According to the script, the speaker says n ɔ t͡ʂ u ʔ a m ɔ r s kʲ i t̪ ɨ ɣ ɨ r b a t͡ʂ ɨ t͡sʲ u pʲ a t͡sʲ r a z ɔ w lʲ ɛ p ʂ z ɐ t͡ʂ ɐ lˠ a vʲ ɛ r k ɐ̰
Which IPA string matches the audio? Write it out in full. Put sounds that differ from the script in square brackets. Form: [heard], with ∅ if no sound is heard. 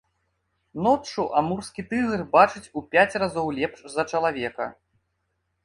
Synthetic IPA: n ɔ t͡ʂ u ʔ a m [u] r s kʲ i t̪ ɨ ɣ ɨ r b a t͡ʂ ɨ t͡sʲ u pʲ a t͡sʲ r a z ɔ w lʲ ɛ p ʂ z ɐ t͡ʂ ɐ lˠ a vʲ ɛ [∅] k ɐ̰